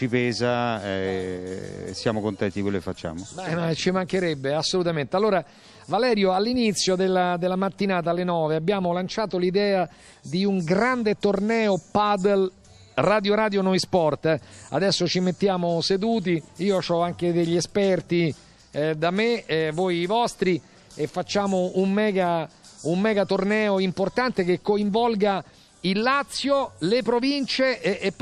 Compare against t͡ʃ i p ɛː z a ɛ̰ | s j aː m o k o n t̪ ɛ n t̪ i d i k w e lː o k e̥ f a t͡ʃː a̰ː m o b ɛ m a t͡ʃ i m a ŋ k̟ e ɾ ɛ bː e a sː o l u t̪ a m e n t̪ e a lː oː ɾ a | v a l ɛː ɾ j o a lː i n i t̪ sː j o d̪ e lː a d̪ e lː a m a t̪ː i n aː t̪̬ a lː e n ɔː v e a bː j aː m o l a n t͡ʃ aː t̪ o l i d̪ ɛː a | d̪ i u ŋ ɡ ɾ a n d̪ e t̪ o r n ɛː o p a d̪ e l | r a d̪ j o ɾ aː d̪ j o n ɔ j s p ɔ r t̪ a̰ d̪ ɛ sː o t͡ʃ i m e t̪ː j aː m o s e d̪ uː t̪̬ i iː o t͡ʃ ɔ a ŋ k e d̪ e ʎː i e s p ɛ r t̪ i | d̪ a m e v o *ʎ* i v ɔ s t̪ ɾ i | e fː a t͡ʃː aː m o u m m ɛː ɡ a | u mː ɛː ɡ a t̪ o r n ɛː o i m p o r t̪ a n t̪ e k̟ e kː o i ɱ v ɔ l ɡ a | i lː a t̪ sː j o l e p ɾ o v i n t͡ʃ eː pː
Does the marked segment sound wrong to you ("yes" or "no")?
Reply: yes